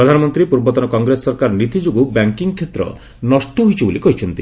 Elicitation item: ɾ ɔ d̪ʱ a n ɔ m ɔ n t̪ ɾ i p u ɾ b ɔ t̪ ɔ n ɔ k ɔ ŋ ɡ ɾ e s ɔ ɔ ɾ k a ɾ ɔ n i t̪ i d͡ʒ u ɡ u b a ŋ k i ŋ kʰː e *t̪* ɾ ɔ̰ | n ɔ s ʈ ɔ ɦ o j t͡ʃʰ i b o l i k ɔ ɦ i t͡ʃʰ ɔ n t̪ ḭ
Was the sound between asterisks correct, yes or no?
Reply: yes